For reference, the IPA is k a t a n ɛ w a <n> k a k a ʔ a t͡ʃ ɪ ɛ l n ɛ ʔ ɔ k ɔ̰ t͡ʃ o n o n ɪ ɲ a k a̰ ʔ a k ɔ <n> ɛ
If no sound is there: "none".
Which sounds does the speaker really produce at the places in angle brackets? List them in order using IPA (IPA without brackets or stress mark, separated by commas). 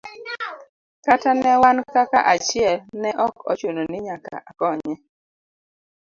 n, ɲ